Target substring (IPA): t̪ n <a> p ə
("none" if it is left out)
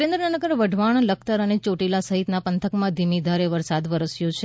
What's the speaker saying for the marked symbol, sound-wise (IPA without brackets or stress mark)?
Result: a